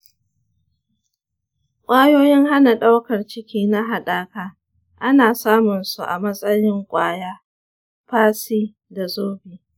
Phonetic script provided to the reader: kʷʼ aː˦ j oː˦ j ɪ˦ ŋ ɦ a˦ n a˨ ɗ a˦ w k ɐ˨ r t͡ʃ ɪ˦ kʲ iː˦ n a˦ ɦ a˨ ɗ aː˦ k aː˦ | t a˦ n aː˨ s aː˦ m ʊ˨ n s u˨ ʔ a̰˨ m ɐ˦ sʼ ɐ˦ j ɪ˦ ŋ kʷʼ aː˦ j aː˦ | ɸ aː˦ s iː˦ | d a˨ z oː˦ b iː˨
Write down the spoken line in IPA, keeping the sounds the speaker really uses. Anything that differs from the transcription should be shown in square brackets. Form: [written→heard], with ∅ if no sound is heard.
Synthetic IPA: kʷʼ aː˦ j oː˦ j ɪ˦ ŋ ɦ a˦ n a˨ ɗ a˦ w k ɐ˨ r t͡ʃ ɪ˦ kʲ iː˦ n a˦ ɦ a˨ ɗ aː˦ k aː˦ | [t→ʔ] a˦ n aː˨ s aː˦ m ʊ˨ n s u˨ ʔ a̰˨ m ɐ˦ sʼ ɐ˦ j ɪ˦ ŋ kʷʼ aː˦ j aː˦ | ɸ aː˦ s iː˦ | d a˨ z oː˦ b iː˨